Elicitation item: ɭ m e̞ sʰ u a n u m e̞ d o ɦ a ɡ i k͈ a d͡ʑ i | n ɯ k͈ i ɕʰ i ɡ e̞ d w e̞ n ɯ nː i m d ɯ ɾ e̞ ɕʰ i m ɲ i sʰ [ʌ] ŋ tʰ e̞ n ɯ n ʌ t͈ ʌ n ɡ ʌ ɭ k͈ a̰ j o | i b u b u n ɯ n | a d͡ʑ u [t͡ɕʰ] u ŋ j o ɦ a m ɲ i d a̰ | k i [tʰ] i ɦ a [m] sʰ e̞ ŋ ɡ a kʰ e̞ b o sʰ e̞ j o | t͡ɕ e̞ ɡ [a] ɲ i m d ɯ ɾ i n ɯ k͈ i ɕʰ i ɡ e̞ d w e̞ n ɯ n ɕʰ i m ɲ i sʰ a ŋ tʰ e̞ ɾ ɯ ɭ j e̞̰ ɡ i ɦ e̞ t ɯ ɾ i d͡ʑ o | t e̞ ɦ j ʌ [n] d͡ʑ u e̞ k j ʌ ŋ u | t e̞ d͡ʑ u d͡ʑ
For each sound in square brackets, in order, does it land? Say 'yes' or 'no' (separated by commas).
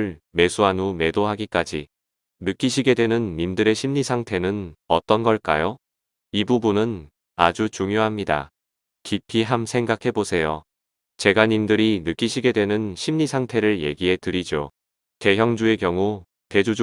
no, no, no, yes, yes, no